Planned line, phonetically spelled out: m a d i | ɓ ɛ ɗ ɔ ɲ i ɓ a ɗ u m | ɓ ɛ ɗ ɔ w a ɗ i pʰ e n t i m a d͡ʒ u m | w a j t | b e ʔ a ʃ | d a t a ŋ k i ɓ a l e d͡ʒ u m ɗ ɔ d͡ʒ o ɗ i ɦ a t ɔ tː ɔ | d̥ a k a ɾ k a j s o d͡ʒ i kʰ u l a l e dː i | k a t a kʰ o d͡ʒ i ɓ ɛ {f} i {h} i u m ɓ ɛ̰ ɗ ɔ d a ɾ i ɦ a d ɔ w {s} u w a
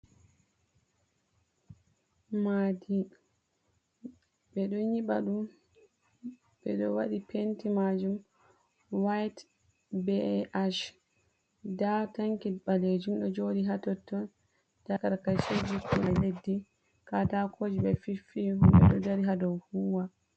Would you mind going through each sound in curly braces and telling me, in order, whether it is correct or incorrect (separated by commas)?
correct, incorrect, incorrect